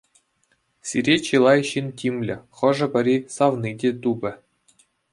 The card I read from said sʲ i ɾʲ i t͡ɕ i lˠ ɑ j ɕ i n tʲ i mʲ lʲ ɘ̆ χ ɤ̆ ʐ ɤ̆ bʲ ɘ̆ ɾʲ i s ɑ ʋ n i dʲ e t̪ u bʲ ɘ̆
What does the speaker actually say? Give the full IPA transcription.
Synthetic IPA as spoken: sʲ i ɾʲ e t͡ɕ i lˠ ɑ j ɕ i n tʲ i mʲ lʲ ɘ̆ χ ɤ̆ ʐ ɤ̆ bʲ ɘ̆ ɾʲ i s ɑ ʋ n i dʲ e t̪ u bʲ ɘ̆